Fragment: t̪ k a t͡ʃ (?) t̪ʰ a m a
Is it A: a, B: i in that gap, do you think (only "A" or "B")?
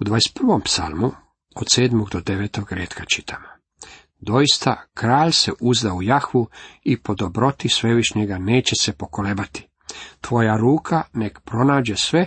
B